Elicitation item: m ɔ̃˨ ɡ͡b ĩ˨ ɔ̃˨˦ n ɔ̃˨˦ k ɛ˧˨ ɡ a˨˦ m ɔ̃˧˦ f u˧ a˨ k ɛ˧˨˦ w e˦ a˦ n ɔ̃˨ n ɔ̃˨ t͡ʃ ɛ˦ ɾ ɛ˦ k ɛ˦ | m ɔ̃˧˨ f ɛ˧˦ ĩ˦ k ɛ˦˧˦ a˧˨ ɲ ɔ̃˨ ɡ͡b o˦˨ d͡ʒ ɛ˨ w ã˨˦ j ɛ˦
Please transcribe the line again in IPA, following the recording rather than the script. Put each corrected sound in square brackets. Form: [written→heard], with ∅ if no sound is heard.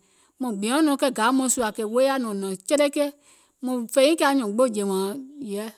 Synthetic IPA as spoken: m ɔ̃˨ ɡ͡b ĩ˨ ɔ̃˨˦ n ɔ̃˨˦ k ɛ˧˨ ɡ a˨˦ m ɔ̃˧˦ [f→s] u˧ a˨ k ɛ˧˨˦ w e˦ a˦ n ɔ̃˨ n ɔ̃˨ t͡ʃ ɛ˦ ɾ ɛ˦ k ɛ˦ | m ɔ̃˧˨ f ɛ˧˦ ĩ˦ k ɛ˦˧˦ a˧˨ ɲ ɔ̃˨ ɡ͡b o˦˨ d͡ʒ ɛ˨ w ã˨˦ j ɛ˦